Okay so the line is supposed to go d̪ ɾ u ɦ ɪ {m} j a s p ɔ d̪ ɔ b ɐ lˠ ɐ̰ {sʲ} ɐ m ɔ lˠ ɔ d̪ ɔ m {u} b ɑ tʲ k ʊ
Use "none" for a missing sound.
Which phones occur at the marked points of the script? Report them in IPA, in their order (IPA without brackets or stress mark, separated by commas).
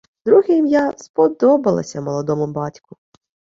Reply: m, sʲ, ʊ